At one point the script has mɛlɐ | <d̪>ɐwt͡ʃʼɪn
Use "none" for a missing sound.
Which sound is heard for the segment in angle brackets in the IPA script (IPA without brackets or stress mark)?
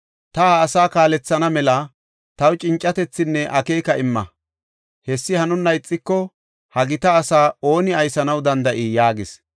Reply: t̪